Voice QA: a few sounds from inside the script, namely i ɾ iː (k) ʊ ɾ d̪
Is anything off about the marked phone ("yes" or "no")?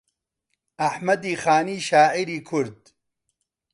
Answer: yes